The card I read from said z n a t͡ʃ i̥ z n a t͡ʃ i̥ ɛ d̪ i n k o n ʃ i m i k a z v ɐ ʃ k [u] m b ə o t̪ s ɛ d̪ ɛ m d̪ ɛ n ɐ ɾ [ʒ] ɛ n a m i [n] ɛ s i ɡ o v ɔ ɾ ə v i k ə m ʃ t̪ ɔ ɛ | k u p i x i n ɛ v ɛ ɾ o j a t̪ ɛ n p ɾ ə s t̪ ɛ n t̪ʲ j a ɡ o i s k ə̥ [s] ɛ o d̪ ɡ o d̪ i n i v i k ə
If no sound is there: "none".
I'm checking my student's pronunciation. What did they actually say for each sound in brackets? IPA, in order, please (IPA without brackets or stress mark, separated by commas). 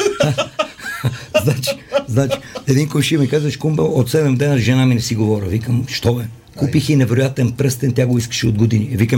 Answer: u, ʒ, n, ʃ